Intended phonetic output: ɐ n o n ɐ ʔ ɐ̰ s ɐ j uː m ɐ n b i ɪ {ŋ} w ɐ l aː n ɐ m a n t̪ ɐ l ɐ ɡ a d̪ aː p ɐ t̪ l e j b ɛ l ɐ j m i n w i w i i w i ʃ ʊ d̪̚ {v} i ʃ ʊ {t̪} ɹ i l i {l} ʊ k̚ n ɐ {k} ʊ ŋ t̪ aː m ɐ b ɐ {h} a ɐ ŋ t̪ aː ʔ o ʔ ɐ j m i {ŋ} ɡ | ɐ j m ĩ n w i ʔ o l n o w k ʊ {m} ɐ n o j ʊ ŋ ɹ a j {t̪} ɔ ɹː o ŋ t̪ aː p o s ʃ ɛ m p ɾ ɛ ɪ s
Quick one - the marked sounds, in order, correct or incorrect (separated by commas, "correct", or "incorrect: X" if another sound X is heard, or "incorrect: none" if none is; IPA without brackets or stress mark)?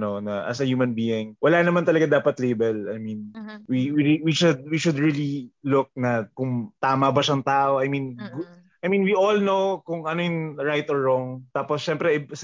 correct, incorrect: w, incorrect: d̪, correct, correct, incorrect: ʃ, incorrect: n, incorrect: ŋ, correct